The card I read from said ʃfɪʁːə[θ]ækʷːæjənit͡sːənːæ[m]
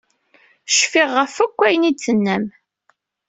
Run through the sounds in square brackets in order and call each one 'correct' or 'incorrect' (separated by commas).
incorrect, correct